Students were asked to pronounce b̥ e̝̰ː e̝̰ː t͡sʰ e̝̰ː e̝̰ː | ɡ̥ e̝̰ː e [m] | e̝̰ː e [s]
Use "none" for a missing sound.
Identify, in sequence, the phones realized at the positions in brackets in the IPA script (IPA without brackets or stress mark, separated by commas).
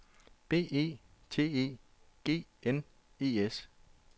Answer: n, s